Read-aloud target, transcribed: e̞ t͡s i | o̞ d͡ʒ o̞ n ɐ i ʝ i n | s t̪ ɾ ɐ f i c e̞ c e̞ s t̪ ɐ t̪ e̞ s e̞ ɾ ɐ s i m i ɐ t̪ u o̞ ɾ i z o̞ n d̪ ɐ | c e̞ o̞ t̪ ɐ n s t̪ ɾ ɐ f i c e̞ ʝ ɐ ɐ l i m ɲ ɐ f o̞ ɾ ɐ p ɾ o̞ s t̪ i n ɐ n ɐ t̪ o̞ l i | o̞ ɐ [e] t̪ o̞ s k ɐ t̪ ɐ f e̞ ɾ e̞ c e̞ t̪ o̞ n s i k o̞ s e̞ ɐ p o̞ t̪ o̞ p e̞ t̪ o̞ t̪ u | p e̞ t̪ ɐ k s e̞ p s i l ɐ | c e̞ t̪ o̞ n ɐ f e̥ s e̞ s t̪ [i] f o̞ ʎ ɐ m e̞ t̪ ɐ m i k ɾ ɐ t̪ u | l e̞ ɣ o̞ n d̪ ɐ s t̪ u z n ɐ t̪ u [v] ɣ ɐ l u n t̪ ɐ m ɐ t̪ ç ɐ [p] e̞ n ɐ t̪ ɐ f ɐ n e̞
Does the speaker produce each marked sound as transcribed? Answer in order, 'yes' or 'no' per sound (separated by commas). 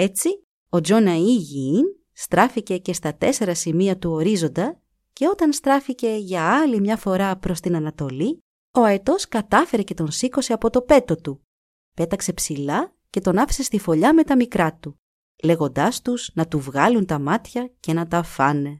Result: yes, yes, yes, no